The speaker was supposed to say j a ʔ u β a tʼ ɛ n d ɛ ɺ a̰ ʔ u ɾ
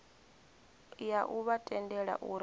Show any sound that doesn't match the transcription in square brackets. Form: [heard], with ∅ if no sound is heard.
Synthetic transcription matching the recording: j a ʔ u β a tʼ ɛ n d ɛ ɺ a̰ ʔ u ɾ

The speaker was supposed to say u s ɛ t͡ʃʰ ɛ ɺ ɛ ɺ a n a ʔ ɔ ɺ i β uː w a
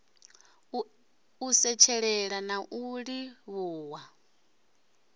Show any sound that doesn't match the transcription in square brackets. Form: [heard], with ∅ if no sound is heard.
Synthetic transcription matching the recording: u s ɛ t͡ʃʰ ɛ ɺ ɛ ɺ a n a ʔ [u] ɺ i β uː w a

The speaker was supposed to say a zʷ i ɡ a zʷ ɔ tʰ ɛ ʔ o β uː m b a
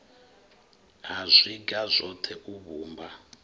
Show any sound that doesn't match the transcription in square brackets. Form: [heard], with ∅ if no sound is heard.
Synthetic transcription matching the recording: a zʷ i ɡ a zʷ ɔ tʰ ɛ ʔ [u] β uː m b a

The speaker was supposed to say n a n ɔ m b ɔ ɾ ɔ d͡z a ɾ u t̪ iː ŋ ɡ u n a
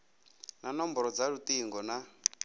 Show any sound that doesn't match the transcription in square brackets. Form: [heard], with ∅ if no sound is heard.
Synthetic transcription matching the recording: n a n ɔ m b ɔ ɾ ɔ d͡z a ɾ u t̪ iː ŋ ɡ [ɔ] n a

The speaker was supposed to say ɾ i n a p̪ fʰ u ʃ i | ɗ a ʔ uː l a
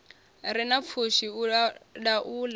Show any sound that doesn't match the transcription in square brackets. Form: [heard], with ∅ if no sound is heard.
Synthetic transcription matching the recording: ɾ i n a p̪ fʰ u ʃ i | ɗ a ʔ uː l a

